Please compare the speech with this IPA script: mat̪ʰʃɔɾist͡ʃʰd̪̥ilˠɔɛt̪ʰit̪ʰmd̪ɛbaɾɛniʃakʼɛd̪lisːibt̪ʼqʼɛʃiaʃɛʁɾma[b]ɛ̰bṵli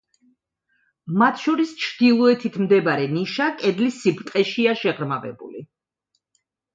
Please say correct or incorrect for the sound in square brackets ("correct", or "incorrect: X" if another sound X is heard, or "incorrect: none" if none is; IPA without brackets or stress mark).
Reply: incorrect: v